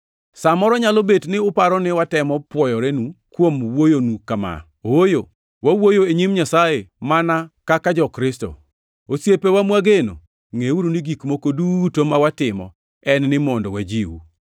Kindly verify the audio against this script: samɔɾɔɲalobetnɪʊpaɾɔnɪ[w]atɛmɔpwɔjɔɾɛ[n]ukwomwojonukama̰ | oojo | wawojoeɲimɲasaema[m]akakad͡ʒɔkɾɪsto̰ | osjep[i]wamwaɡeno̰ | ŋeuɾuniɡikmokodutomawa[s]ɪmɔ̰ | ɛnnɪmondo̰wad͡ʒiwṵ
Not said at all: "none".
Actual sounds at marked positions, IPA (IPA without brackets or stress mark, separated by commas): w, n, n, e, t